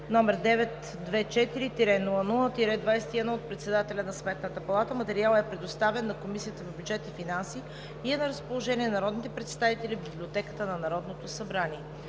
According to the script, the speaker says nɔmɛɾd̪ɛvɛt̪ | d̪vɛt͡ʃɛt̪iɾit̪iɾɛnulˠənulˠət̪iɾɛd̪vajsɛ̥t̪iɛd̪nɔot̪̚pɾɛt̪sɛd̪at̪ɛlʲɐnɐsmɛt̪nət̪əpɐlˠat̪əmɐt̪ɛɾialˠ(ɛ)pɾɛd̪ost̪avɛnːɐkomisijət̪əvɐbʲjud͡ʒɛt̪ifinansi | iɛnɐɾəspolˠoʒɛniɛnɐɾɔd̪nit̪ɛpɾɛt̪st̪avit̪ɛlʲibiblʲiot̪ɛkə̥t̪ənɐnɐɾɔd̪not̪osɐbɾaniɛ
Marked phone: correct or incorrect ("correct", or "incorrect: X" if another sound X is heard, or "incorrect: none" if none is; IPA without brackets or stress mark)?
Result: correct